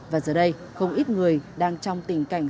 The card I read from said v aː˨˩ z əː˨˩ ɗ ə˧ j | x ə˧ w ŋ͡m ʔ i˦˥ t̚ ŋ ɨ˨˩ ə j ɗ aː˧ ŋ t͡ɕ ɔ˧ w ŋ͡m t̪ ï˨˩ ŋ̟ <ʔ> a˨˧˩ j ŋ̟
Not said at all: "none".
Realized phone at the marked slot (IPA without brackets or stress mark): k